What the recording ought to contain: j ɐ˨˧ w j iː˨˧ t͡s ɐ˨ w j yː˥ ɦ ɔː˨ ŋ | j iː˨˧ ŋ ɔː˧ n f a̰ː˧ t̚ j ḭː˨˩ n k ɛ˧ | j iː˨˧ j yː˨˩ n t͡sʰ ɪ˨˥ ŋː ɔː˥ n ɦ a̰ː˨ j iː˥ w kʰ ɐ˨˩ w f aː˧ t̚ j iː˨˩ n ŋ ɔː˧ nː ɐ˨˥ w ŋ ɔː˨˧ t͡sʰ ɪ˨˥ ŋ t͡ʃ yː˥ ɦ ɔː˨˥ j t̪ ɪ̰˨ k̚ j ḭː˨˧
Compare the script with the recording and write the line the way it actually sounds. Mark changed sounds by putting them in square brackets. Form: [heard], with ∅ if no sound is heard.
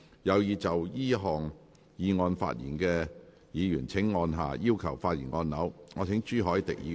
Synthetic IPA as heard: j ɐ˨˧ w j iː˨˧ t͡s ɐ˨ w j [iː˥] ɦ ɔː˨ ŋ | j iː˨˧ ŋ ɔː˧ n f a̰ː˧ t̚ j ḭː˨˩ n k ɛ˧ | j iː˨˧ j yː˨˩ n t͡sʰ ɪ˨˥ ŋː [ɔː˧] n ɦ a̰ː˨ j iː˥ w kʰ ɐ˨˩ w f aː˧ t̚ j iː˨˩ n ŋ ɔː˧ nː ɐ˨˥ w ŋ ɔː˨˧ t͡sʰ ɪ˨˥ ŋ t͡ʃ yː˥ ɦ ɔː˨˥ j t̪ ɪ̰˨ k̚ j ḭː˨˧